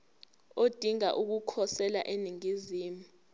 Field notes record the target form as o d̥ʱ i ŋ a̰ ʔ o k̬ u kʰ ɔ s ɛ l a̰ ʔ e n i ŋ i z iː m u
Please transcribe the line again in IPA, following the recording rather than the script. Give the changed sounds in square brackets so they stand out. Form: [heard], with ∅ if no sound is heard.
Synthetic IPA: o d̥ʱ i ŋ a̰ ʔ [u] k̬ u kʰ ɔ s ɛ l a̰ ʔ e n i ŋ i z iː m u